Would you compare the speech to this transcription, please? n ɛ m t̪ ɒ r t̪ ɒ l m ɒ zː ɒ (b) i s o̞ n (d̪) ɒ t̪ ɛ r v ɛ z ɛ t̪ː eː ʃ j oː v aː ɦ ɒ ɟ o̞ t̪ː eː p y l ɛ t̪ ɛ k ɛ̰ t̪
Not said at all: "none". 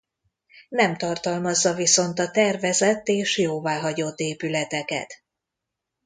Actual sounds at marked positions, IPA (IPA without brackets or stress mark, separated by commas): v, t̪